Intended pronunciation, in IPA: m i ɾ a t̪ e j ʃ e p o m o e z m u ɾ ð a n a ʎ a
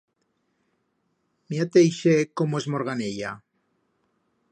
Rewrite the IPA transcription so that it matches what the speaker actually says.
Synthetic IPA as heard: m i a t̪ e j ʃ e k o m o e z m o ɾ ɣ a n e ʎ a